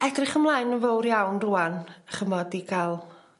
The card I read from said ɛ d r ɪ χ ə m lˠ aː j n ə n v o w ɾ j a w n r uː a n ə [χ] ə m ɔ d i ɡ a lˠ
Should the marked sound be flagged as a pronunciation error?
no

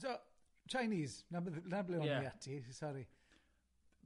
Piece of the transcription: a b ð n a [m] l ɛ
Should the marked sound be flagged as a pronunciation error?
yes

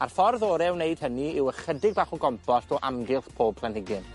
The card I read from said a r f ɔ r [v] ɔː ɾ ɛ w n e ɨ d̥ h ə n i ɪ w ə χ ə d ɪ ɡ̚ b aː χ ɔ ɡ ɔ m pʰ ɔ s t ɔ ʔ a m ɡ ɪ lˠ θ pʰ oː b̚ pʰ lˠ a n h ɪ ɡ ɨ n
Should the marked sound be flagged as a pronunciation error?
yes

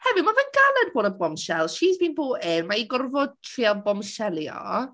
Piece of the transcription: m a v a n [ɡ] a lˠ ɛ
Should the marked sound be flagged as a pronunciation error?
no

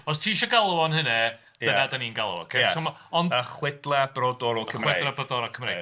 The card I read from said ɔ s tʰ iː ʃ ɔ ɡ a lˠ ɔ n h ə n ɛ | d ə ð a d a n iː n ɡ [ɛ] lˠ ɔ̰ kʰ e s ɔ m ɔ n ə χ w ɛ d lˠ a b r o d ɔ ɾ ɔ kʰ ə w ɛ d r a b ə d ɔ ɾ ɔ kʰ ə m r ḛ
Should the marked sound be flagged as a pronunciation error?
yes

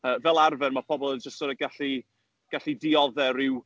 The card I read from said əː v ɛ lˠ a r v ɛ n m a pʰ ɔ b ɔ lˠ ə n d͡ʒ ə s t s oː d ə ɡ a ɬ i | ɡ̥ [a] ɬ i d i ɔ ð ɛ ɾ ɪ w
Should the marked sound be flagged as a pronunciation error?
no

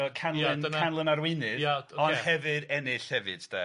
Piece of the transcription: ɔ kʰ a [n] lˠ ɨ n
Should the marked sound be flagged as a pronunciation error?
no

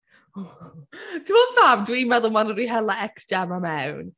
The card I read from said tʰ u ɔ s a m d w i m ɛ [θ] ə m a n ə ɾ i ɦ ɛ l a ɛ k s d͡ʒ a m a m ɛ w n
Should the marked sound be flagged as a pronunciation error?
yes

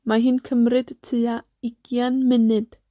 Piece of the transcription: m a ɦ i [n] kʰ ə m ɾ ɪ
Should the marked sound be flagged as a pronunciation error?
no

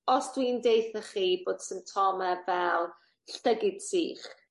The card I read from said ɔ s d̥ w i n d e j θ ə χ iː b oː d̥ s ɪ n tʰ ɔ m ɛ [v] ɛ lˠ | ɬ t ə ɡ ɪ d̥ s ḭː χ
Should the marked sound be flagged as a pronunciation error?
no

